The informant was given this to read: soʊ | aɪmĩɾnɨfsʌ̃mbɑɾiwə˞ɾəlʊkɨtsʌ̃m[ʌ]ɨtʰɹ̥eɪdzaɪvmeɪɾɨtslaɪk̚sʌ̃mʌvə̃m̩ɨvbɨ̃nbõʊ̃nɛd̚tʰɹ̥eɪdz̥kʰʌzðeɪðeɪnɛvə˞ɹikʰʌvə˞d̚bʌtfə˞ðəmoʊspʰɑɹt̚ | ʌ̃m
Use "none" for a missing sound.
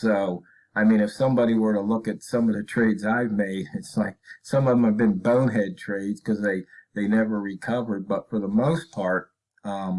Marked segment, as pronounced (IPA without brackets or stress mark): ʌ